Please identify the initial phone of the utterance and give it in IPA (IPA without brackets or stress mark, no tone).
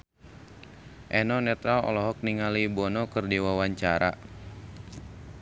ʔ